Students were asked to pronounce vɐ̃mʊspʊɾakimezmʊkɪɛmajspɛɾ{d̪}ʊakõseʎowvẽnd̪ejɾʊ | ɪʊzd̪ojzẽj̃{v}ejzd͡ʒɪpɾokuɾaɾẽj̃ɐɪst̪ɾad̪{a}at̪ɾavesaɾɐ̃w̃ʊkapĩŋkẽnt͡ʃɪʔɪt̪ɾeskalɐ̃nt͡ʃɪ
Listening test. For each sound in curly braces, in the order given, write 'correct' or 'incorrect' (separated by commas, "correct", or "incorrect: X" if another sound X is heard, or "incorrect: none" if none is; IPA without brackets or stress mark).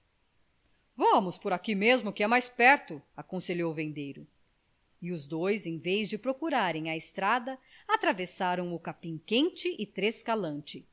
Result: incorrect: t̪, correct, incorrect: ɐ